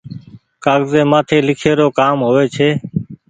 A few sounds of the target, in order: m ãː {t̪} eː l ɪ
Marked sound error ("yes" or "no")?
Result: yes